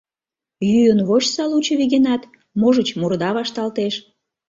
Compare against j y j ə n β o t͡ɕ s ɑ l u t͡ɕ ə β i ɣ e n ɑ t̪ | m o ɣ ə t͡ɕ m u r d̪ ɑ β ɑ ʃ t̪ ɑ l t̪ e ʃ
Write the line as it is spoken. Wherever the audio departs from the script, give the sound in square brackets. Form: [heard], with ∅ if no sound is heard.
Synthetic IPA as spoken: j y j ə n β o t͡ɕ s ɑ l u t͡ɕ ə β i ɣ e n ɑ t̪ | m o [ʒ] ə t͡ɕ m u r d̪ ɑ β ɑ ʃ t̪ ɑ l t̪ e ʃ